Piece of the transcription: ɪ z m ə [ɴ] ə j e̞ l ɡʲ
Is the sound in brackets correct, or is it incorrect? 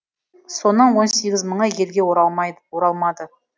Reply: correct